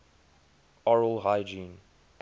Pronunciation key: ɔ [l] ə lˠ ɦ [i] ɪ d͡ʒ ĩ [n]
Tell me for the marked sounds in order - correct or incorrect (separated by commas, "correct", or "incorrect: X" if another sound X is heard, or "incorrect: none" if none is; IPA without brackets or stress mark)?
incorrect: ɹ, incorrect: a, correct